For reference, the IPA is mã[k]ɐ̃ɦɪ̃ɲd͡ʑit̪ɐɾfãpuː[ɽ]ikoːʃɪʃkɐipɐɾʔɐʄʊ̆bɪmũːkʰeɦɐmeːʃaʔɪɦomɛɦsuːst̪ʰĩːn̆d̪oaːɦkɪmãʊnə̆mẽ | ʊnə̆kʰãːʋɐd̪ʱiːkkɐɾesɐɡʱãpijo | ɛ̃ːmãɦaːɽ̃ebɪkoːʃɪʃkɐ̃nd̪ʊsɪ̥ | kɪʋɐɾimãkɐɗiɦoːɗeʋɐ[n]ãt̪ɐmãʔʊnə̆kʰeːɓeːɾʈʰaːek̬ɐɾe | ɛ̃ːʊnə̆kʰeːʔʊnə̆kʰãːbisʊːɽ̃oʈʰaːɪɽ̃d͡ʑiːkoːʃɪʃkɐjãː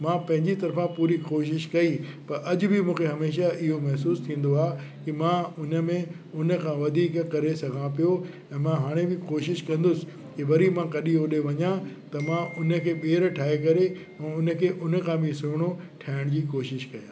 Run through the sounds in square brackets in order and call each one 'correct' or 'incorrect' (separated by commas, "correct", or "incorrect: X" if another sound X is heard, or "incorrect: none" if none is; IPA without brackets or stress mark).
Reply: incorrect: p, incorrect: ɾ, incorrect: ɲ